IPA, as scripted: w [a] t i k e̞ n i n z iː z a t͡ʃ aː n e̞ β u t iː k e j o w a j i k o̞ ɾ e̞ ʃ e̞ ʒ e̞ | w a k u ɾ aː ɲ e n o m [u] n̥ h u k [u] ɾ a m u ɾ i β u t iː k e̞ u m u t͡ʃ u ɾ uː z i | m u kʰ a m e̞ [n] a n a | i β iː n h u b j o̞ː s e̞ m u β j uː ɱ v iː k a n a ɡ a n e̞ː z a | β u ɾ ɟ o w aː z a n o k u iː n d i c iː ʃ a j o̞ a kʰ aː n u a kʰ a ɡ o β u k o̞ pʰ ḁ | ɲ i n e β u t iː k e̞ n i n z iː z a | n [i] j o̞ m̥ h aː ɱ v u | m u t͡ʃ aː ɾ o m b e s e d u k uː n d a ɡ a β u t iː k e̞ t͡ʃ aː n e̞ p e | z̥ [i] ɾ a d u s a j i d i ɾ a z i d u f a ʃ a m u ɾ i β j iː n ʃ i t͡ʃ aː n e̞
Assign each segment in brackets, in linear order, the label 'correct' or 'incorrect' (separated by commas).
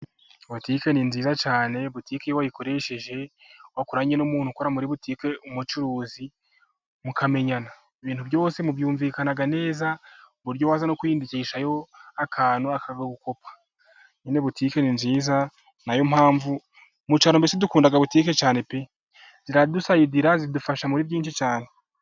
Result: correct, incorrect, incorrect, incorrect, incorrect, correct